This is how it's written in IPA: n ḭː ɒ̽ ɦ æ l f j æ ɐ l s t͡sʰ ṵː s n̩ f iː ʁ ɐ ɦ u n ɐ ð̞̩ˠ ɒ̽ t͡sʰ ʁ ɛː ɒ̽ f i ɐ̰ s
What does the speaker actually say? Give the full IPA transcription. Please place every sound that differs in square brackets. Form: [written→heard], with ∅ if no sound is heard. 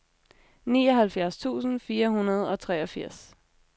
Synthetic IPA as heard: n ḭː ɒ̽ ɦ æ l f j æ ɐ [l→∅] s t͡sʰ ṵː s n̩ f iː [ʁ→∅] ɐ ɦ u n ɐ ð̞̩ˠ ɒ̽ t͡sʰ ʁ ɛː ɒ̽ f i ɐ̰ s